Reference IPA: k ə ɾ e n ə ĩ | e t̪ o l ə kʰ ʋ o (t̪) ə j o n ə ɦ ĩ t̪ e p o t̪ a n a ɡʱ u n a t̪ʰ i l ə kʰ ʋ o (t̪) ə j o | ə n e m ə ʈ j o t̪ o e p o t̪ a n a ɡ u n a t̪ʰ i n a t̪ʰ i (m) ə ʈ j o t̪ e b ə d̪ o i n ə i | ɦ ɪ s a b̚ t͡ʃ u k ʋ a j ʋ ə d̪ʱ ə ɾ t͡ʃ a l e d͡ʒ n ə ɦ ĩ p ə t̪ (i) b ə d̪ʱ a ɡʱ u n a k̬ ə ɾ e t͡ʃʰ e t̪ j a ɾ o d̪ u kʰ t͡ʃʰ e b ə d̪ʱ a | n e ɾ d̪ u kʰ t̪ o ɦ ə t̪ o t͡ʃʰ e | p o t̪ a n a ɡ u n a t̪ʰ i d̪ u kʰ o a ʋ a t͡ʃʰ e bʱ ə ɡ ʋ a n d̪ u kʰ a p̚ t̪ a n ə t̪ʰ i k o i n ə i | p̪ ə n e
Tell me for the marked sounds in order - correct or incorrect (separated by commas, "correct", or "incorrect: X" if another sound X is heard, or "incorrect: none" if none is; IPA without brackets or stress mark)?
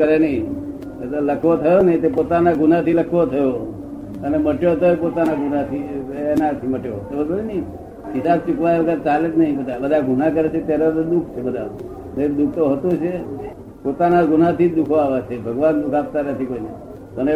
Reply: incorrect: t̪ʰ, incorrect: t̪ʰ, correct, incorrect: a